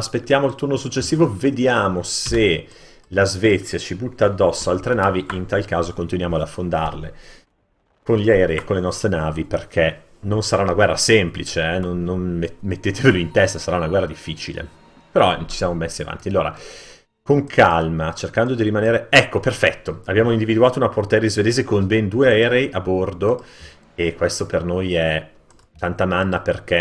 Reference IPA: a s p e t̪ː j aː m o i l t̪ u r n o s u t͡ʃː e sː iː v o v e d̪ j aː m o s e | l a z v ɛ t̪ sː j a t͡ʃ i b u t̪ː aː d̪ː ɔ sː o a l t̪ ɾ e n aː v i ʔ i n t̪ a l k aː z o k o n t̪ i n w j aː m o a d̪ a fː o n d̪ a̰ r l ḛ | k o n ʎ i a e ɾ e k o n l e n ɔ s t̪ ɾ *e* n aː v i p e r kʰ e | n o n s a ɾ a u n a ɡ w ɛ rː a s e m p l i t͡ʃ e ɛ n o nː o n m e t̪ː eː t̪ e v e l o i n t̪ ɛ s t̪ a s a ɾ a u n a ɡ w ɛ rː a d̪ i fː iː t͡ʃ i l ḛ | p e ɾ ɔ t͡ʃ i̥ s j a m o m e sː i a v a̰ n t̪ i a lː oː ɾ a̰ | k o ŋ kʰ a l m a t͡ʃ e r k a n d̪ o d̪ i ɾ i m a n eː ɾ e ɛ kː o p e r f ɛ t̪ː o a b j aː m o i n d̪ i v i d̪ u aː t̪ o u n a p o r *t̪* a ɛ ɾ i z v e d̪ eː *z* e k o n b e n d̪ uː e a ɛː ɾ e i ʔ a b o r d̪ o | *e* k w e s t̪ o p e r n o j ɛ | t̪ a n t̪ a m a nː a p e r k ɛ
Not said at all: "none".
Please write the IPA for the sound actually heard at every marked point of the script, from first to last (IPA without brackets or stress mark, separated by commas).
e, t̪, z, e